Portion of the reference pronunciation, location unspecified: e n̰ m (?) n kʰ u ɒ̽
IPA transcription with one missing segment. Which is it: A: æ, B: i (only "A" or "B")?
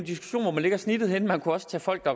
A